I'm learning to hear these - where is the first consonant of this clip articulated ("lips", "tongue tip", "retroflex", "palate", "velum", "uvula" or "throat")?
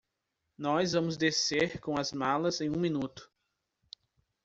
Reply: tongue tip